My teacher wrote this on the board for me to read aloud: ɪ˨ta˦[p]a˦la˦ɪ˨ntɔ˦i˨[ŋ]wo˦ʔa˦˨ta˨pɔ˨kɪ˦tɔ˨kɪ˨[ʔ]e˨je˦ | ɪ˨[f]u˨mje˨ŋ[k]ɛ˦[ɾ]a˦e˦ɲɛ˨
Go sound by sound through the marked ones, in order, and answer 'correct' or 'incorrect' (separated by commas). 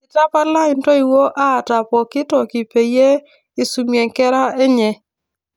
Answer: correct, incorrect, incorrect, incorrect, correct, correct